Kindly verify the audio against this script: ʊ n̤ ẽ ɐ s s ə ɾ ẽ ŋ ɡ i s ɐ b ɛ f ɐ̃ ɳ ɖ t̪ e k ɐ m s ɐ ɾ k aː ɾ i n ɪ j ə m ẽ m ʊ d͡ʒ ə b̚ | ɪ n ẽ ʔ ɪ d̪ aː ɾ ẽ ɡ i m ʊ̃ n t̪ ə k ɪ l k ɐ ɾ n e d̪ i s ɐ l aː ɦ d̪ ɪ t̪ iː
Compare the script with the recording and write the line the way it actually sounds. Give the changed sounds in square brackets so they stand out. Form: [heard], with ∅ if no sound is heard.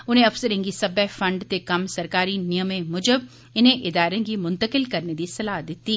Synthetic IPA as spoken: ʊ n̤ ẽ ɐ [f] s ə ɾ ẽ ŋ ɡ i s ɐ b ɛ f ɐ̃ ɳ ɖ t̪ e k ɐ m s ɐ ɾ k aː ɾ i n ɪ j ə m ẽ m ʊ d͡ʒ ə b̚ | ɪ n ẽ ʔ ɪ d̪ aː ɾ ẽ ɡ i m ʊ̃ n t̪ ə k ɪ l k ɐ ɾ n e d̪ i s ɐ l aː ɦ d̪ ɪ t̪ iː